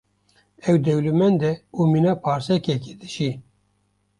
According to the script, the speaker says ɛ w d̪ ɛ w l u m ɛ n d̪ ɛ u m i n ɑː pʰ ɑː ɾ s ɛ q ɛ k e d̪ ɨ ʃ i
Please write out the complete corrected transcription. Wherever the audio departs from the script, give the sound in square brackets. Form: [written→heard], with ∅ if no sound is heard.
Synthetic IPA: ɛ w d̪ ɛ w l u m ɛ n d̪ ɛ u m i n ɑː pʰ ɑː ɾ s ɛ [q→k] ɛ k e d̪ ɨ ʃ i